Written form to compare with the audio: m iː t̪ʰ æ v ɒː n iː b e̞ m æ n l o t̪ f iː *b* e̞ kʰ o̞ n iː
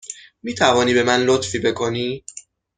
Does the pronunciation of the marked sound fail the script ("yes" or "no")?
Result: no